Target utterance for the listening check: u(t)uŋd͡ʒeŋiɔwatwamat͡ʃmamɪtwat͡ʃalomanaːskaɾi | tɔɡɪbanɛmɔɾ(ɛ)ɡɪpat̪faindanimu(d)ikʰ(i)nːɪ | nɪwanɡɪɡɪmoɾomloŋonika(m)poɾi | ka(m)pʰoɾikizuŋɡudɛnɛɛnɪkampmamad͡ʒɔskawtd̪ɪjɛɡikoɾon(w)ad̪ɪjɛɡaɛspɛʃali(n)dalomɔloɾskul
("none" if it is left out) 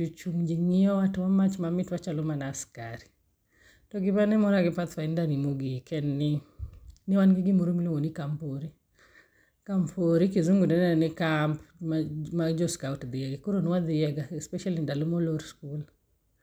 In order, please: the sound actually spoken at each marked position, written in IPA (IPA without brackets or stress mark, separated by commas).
t͡ʃ, a, ɡ, ɛ, m, m, w, n